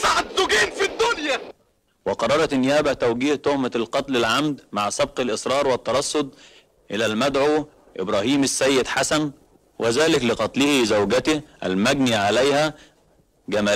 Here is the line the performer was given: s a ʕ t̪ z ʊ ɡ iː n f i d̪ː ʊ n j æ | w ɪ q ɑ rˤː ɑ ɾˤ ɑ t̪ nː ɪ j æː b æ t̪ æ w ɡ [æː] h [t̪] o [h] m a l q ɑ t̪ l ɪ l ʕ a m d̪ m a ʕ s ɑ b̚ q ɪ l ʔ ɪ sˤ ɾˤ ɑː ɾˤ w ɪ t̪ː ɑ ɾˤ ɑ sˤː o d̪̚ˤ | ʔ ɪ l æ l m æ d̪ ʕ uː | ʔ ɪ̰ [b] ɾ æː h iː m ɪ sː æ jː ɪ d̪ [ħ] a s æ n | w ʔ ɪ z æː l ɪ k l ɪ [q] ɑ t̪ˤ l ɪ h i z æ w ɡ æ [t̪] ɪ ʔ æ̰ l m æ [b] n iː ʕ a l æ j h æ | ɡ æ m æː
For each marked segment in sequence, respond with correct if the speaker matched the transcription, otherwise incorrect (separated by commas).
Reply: incorrect, correct, correct, correct, correct, correct, correct, incorrect